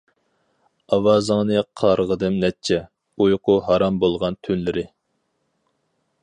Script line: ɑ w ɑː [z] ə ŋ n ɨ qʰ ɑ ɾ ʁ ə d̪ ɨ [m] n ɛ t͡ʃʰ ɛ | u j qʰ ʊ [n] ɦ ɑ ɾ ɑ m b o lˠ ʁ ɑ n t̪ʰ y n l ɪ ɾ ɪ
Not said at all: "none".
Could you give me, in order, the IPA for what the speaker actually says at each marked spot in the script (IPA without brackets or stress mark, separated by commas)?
z, m, none